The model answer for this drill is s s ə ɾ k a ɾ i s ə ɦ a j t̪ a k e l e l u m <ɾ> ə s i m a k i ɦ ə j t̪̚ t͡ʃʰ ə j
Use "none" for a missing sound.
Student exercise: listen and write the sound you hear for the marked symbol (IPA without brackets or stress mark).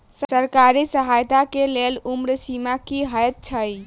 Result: ɾ